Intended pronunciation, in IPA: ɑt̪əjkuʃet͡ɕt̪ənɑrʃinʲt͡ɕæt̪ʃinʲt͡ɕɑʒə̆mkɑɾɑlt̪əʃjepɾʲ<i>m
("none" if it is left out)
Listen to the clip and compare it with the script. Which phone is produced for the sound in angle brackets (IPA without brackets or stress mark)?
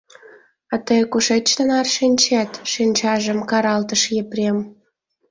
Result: e